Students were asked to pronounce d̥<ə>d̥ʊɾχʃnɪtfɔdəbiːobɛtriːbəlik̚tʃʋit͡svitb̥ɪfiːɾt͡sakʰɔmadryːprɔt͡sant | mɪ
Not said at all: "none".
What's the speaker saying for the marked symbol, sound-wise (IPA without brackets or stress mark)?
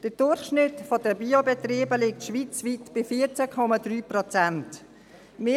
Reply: ə